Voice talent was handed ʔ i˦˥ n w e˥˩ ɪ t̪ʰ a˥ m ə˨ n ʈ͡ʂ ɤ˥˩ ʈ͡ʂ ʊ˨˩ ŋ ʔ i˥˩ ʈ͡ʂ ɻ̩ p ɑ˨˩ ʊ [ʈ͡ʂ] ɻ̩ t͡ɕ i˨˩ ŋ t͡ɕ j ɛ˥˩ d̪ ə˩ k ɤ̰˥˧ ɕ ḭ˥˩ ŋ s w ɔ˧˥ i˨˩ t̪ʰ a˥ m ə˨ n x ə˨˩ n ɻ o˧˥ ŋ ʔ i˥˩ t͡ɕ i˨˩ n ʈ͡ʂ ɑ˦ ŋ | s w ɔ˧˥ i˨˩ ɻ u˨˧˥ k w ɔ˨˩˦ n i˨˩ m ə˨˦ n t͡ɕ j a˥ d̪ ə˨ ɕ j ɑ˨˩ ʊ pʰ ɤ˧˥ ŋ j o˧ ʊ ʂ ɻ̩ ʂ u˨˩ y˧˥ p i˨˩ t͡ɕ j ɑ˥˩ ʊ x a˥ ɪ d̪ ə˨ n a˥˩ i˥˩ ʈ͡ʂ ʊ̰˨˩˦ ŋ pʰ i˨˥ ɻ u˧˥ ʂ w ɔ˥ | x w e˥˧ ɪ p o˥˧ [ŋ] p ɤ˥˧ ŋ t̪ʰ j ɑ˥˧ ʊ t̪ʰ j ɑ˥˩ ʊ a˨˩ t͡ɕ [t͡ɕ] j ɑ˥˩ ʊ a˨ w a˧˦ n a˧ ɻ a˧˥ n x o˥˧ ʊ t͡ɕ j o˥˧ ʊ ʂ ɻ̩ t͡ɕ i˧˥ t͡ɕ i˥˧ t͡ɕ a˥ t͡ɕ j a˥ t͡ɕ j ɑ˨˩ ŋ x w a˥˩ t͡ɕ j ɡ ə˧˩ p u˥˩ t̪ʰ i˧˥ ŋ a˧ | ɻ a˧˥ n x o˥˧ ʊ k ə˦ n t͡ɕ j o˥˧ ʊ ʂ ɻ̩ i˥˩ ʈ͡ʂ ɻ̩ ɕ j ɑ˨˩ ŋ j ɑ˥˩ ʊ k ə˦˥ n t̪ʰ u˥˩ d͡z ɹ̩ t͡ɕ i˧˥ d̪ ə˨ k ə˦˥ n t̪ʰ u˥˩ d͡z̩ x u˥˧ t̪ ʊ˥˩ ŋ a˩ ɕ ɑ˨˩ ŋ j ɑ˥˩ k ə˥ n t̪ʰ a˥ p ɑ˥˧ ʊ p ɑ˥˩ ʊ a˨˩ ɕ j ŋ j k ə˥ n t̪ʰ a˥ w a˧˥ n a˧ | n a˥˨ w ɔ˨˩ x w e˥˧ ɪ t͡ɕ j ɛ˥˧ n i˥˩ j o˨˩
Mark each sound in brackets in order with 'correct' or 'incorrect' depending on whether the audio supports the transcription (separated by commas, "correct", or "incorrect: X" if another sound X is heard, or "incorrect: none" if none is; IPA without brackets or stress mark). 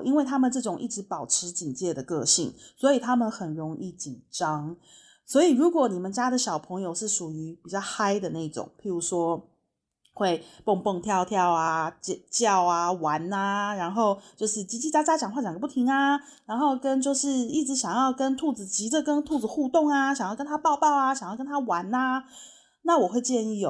incorrect: ʈ͡ʂʰ, correct, correct